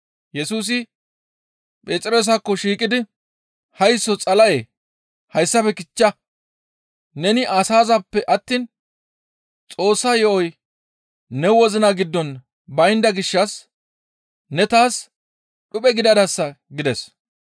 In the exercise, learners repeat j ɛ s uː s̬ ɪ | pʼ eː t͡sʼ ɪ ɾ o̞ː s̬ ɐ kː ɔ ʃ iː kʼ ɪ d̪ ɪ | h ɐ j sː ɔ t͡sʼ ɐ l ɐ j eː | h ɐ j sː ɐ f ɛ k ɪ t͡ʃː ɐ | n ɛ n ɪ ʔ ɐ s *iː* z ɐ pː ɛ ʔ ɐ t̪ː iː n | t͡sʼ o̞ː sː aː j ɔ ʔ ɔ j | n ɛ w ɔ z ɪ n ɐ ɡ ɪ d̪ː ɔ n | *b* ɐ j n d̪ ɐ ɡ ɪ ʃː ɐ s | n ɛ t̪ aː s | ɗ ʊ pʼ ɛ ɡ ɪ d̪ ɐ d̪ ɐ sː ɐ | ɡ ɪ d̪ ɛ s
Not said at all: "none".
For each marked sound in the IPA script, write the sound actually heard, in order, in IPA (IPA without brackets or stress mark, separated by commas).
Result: aː, b